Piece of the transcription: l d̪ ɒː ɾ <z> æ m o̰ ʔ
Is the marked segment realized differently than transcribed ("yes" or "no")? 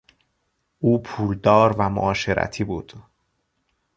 yes